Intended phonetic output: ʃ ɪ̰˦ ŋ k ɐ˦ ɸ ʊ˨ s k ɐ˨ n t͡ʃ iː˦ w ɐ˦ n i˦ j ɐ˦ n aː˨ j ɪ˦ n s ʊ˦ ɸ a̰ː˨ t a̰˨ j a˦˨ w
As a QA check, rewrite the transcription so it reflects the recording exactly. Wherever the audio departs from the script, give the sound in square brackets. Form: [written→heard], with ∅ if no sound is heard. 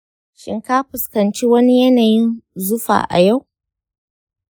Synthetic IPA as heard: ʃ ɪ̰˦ ŋ k [ɐ˦→a˦] ɸ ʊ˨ s k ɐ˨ n t͡ʃ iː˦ w ɐ˦ n i˦ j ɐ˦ n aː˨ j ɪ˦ n [s→z] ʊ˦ ɸ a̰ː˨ [t→ʔ] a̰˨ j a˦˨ w